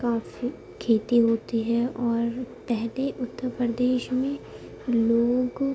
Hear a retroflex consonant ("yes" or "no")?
no